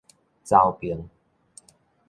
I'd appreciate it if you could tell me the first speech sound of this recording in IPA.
t͡s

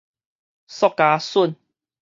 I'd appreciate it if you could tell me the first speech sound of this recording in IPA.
s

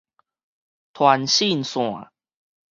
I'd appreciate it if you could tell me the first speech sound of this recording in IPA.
t̪ʰ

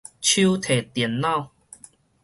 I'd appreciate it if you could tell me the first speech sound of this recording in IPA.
t͡ɕʰ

